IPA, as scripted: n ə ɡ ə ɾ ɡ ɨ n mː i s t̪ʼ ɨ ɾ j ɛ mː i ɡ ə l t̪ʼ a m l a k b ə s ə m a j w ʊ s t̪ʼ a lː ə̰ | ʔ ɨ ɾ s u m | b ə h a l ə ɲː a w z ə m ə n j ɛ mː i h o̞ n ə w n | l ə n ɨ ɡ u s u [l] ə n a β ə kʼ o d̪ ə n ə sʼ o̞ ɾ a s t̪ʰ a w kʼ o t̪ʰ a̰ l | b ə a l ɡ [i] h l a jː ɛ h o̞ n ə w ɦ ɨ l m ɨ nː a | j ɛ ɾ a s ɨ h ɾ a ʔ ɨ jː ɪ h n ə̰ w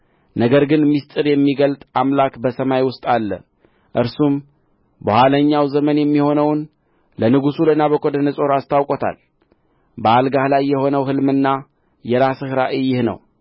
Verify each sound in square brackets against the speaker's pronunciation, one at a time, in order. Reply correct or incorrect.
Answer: correct, incorrect

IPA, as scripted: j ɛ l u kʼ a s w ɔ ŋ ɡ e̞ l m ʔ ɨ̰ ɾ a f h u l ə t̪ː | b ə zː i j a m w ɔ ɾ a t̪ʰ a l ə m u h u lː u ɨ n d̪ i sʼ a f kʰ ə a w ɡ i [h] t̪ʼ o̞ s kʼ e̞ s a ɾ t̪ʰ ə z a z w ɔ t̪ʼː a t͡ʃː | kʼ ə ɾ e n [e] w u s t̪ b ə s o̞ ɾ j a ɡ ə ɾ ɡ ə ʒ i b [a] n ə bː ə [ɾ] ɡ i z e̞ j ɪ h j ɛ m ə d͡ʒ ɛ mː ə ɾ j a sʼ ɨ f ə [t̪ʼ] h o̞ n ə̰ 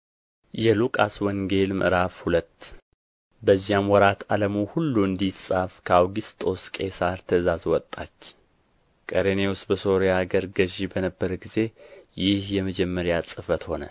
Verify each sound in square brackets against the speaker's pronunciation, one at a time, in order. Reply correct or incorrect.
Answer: incorrect, correct, incorrect, correct, incorrect

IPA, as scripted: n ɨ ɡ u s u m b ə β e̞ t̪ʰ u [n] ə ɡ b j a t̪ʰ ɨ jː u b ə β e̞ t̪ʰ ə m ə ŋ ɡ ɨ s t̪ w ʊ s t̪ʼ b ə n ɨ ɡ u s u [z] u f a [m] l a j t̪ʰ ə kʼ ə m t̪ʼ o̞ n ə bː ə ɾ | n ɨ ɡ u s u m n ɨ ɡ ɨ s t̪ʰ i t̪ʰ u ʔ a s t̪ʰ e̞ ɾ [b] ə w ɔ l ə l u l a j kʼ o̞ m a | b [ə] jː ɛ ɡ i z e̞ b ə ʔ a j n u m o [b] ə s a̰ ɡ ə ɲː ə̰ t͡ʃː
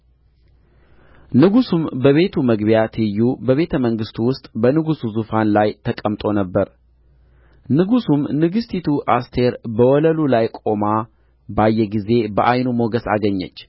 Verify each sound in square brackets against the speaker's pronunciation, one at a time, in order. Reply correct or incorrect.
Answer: incorrect, correct, incorrect, correct, incorrect, incorrect

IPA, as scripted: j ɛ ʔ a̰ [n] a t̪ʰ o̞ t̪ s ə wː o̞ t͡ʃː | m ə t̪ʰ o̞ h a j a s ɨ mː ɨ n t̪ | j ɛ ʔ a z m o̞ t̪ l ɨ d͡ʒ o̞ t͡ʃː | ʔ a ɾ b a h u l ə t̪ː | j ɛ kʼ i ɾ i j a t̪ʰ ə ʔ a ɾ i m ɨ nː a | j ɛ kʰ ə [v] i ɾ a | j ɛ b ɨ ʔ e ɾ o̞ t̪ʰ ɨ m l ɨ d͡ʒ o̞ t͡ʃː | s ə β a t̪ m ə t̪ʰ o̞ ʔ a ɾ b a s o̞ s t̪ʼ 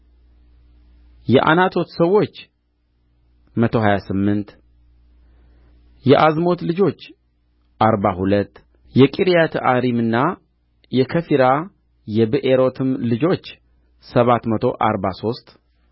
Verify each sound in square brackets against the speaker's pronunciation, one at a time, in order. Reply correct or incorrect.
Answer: correct, incorrect

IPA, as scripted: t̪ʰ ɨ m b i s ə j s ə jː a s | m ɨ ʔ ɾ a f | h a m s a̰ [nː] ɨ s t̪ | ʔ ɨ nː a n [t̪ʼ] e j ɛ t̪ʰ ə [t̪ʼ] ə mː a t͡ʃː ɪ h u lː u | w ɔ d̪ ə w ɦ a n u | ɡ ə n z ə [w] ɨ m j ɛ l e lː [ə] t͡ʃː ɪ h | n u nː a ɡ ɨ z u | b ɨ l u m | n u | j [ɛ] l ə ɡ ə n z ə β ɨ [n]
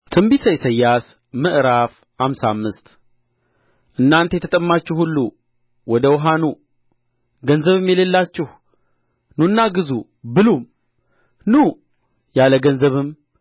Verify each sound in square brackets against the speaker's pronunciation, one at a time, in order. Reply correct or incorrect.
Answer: incorrect, incorrect, correct, incorrect, incorrect, incorrect, incorrect

